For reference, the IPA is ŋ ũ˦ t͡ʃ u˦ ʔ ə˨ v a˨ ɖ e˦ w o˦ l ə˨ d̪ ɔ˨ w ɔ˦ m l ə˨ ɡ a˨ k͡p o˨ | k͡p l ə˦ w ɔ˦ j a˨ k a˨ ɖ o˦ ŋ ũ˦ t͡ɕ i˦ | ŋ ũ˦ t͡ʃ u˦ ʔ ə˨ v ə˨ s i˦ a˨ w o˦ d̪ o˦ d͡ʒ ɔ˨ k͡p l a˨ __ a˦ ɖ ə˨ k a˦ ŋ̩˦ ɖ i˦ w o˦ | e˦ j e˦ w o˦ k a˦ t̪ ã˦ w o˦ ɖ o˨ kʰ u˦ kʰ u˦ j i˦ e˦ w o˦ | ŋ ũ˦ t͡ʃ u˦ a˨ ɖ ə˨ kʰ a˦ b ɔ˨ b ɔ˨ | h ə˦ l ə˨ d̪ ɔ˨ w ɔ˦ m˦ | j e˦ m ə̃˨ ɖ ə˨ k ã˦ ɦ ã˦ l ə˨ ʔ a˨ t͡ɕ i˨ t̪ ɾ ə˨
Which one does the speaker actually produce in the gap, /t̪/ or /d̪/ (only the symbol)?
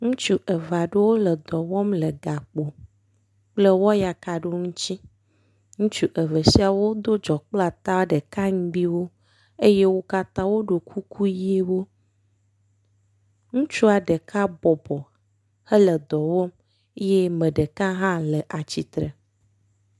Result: t̪